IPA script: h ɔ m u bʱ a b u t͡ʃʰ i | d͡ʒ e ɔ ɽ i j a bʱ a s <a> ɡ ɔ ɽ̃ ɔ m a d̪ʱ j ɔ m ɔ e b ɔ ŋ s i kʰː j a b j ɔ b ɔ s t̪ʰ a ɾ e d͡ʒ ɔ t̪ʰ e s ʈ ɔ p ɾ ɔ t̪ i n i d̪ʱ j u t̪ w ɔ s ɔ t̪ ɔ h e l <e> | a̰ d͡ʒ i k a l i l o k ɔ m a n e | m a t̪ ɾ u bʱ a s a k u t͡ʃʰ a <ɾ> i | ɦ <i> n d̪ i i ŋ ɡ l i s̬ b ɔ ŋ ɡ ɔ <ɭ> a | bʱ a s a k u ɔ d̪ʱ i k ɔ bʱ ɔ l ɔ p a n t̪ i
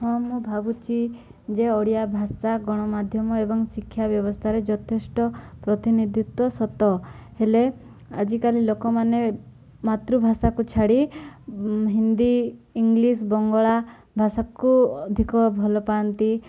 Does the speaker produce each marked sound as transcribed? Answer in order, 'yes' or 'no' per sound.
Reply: yes, yes, no, yes, yes

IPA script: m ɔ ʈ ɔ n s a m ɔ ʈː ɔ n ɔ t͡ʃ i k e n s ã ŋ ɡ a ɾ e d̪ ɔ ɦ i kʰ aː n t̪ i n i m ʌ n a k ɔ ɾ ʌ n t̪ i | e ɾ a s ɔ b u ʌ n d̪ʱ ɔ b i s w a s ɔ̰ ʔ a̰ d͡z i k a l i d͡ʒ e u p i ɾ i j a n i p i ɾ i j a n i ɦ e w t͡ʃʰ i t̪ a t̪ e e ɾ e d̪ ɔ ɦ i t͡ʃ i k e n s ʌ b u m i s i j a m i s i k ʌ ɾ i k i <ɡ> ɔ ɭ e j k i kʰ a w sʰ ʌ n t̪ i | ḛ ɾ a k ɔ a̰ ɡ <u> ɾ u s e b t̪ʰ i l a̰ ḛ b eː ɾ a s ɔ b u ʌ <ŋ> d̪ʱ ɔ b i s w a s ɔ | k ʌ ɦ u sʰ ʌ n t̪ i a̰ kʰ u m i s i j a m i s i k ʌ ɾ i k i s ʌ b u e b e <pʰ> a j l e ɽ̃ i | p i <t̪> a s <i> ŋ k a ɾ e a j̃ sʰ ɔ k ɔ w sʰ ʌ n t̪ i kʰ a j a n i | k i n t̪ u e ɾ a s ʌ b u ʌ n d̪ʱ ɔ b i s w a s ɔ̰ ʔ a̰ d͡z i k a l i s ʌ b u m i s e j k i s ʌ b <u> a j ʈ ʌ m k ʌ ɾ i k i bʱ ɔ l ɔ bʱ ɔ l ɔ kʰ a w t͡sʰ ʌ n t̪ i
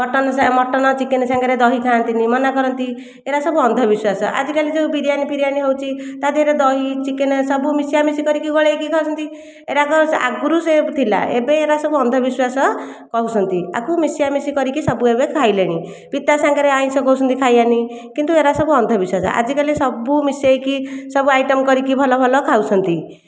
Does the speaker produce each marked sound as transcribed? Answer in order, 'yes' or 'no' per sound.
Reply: yes, yes, no, no, yes, no, yes

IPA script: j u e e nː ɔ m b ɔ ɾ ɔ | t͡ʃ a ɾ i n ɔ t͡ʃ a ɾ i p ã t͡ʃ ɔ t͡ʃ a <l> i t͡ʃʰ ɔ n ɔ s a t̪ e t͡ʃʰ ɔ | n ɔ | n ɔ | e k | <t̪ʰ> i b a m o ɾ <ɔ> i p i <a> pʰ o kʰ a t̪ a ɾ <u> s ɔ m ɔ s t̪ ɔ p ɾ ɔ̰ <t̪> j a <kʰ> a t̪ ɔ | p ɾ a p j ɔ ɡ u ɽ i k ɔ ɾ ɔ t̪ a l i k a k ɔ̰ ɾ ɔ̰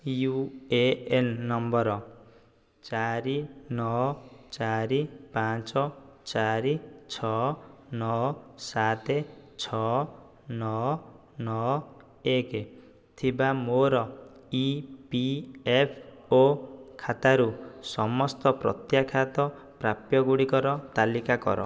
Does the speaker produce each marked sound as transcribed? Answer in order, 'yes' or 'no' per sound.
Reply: no, yes, yes, no, yes, yes, yes

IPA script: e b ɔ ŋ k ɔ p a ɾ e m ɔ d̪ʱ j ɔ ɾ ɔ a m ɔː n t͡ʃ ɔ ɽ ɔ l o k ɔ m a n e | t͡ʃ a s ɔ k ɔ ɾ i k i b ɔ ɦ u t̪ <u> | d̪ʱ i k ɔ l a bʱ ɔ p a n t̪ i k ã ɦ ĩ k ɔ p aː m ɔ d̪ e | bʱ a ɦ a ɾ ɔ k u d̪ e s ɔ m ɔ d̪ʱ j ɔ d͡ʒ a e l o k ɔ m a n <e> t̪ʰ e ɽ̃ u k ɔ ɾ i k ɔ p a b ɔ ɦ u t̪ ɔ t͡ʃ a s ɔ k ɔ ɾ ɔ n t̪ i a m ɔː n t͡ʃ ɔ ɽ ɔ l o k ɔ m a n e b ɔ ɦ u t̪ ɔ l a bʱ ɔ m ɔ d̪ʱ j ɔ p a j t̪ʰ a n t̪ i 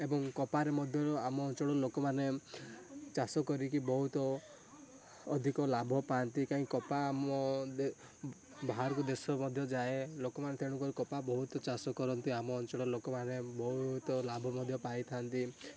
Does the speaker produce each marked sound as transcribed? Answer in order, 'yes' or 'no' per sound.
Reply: no, yes

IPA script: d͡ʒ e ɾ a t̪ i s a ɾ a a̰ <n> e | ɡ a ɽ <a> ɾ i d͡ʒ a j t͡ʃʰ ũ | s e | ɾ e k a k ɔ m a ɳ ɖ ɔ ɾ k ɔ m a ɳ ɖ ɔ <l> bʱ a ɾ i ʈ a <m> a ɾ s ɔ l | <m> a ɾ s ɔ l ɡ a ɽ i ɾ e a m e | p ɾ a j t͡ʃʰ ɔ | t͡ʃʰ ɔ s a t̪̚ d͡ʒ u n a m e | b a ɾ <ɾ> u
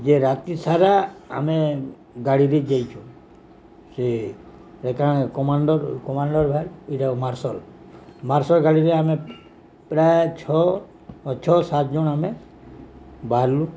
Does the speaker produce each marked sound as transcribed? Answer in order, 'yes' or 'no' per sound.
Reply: no, no, no, yes, yes, no

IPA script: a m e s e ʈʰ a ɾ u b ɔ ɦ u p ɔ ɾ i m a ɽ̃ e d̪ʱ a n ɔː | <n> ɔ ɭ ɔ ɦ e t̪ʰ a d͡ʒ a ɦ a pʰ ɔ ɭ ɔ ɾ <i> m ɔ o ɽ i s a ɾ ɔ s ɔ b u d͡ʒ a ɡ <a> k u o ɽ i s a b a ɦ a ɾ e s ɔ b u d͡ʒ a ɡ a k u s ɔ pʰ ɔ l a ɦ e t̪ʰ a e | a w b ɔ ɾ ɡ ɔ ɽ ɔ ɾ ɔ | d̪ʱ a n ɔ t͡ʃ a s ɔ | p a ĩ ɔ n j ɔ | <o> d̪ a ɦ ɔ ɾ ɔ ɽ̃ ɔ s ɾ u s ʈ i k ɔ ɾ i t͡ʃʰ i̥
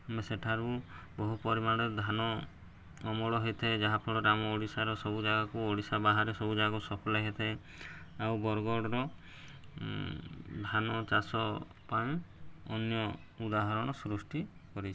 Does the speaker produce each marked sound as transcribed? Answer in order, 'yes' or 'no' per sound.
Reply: no, no, yes, no

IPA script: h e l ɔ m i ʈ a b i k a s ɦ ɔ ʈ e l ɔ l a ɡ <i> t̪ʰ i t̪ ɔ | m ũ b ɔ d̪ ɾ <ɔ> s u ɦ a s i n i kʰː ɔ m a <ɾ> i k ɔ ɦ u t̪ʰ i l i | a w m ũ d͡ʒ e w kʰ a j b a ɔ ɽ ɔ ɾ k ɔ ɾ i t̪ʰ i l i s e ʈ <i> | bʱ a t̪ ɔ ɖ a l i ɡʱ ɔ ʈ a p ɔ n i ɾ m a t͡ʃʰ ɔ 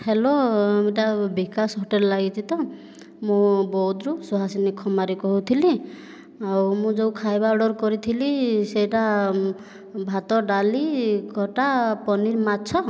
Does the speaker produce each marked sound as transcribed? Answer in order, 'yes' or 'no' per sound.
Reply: yes, no, yes, no

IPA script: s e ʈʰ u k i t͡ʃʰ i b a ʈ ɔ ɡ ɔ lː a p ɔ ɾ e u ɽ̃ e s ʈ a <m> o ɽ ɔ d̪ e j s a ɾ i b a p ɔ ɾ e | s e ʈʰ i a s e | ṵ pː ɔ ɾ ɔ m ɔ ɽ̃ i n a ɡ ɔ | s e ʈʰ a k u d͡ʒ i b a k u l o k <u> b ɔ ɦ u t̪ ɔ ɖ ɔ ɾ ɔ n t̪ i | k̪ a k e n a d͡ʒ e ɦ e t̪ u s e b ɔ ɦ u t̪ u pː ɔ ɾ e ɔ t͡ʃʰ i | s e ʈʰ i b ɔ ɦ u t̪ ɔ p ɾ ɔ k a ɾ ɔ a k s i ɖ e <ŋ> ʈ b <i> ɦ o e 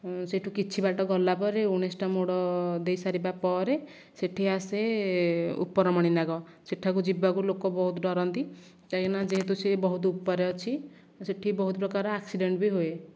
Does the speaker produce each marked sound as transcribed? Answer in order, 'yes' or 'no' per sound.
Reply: yes, no, no, yes

